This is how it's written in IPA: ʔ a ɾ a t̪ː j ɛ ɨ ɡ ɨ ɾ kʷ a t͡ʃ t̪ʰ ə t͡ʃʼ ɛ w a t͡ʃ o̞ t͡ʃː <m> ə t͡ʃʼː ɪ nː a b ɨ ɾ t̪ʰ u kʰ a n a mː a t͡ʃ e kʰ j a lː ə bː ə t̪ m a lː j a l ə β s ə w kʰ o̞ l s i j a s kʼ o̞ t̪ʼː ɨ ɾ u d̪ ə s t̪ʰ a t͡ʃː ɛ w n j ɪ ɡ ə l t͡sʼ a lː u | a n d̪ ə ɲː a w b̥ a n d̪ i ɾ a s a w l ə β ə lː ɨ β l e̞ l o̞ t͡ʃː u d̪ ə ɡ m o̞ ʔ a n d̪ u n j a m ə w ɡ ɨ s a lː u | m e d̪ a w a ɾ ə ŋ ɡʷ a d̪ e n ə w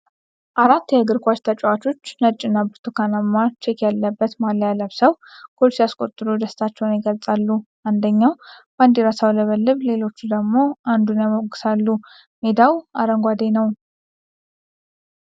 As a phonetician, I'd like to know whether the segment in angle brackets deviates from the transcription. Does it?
yes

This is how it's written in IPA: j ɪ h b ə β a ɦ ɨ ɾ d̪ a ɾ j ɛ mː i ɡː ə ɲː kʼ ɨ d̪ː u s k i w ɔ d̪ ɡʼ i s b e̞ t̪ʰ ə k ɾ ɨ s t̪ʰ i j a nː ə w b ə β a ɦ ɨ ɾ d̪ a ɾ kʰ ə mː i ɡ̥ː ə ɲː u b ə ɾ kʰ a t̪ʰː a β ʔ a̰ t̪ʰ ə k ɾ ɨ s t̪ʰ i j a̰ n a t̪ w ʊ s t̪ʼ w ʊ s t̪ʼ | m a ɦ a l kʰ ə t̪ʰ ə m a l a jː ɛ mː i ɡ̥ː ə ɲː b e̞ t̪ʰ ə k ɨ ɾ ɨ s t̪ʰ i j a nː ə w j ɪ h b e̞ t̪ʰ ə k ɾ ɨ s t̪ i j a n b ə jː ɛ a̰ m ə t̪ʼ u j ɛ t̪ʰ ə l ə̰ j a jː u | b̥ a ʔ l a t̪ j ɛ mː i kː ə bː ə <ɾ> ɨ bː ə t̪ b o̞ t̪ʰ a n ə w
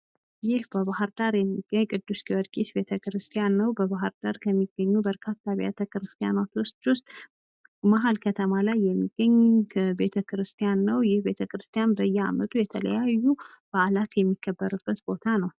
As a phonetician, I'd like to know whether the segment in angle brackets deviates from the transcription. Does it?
no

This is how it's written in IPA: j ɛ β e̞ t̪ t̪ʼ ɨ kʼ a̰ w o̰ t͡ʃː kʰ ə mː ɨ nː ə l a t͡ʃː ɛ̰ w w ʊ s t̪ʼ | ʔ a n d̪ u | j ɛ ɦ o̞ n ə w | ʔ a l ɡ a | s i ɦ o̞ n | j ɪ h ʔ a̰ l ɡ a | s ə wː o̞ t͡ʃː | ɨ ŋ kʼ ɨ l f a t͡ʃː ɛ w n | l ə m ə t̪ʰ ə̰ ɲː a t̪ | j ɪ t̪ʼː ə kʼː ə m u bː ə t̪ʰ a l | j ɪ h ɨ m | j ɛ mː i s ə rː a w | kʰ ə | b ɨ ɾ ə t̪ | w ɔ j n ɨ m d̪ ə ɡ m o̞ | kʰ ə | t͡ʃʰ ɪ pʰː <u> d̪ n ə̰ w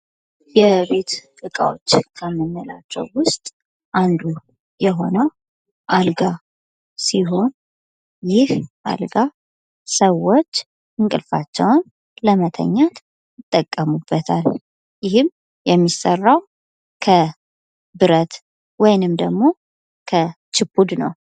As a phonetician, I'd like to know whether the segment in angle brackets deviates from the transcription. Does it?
no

